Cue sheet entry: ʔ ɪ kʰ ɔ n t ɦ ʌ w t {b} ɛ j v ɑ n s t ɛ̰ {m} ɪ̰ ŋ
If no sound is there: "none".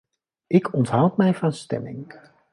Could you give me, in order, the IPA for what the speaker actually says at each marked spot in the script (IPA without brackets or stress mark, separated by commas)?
m, m